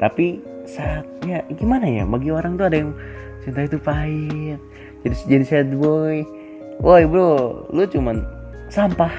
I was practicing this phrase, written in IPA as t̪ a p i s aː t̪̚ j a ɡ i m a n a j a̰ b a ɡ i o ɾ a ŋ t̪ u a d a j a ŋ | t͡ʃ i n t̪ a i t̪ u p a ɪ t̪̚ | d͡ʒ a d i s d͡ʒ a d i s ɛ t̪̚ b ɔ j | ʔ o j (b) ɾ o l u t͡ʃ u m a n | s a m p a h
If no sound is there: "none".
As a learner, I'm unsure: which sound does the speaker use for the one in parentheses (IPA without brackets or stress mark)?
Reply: b